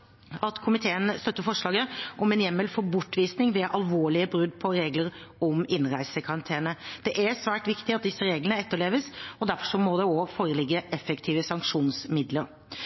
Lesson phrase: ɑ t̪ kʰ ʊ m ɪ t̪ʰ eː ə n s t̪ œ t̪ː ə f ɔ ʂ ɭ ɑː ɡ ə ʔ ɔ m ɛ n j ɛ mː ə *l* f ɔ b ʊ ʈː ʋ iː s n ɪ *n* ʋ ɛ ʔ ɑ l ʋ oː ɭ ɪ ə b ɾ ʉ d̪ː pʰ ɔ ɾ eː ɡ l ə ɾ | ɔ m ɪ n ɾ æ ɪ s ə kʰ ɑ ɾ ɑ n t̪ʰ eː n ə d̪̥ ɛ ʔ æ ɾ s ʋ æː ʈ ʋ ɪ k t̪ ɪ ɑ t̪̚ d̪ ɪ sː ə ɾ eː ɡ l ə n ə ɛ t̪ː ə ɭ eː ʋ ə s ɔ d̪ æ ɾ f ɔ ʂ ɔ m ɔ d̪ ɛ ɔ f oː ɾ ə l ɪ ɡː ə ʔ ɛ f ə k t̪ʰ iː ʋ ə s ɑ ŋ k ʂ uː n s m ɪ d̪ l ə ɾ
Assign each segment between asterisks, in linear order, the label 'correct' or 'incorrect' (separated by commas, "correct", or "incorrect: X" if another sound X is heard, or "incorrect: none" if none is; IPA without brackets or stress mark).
correct, incorrect: ŋ